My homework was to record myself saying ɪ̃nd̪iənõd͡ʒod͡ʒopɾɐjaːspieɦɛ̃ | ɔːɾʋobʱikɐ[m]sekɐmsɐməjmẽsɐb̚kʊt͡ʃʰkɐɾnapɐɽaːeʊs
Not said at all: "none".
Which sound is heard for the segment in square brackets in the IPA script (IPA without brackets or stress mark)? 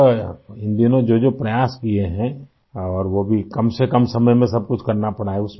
m